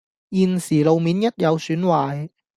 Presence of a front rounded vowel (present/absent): present